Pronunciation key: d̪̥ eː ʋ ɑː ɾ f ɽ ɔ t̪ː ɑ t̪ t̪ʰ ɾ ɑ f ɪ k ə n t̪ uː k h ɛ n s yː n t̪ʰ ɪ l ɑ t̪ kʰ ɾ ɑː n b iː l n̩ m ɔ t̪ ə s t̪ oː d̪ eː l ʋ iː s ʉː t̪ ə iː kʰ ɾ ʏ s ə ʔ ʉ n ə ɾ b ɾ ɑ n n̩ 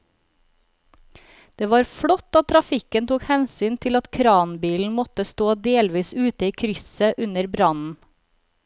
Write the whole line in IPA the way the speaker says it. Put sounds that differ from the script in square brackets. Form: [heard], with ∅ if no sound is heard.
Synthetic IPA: d̪̥ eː ʋ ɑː ɾ f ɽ ɔ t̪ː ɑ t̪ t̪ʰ ɾ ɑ f ɪ k ə n t̪ uː k h ɛ n s yː n t̪ʰ ɪ l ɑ t̪ kʰ ɾ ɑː n b iː l n̩ m ɔ t̪ ə s t̪ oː d̪ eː l ʋ iː s ʉː t̪ ə iː kʰ ɾ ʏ s ə ʔ ʉ n ə ɾ b ɾ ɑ n n̩